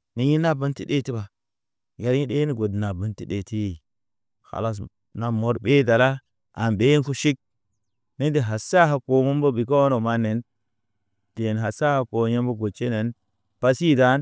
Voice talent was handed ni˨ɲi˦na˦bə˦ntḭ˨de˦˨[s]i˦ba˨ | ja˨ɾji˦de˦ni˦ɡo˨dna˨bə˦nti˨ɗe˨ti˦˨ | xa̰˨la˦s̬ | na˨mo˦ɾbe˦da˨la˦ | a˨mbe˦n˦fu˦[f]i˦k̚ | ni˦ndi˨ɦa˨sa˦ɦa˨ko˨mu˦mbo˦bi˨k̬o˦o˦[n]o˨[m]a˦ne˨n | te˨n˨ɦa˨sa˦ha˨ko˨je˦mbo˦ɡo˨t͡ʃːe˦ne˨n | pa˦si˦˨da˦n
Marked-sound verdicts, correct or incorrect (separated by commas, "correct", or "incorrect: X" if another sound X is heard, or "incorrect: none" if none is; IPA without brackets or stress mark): incorrect: t, incorrect: ʃ, correct, correct